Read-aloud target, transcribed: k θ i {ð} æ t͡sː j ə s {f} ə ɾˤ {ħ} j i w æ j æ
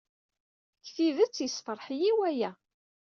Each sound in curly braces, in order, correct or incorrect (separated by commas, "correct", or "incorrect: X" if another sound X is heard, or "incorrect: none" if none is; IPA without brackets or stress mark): correct, correct, correct